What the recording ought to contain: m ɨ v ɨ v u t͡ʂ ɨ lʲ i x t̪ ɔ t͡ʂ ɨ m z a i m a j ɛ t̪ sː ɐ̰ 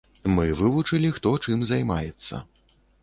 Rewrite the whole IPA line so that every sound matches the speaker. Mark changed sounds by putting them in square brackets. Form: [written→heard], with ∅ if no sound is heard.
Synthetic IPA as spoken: m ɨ v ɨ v u t͡ʂ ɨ lʲ i x t̪ ɔ t͡ʂ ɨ m z a [i→j] m a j ɛ t̪ sː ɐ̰